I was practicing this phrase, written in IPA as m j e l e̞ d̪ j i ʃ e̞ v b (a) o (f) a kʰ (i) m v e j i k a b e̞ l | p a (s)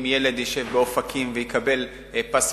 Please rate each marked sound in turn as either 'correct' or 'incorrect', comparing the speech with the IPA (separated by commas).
incorrect, correct, correct, correct